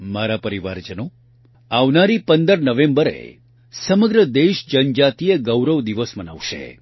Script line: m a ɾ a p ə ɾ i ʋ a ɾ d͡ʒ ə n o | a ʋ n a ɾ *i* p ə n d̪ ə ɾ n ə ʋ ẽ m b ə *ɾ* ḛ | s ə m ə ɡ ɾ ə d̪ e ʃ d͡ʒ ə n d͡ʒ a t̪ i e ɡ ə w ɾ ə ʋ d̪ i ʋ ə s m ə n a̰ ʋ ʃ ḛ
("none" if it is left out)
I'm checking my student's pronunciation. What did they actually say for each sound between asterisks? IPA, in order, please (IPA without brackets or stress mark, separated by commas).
i, ɾ